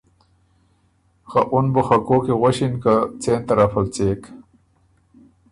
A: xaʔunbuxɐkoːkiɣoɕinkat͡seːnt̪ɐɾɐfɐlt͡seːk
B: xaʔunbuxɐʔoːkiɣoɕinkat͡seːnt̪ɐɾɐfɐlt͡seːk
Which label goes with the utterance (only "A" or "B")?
A